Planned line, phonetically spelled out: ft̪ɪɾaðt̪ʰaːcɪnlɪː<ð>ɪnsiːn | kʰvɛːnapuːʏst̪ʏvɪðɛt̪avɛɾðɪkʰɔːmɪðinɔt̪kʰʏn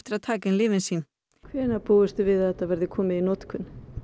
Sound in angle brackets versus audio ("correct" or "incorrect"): incorrect